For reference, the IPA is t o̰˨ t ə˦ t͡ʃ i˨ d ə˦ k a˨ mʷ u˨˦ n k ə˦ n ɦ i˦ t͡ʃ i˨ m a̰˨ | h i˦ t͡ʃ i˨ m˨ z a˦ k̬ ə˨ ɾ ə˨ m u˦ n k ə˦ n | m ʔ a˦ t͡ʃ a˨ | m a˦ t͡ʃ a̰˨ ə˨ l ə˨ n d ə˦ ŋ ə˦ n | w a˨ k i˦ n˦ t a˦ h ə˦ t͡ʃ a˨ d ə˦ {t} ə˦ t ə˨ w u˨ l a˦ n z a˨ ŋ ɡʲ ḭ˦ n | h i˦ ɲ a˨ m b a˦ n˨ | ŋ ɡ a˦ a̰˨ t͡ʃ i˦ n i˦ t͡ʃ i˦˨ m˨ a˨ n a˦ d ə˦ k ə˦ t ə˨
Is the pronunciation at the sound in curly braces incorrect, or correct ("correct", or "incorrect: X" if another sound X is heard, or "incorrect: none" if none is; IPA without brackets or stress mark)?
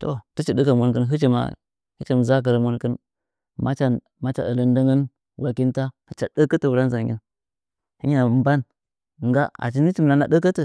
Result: incorrect: k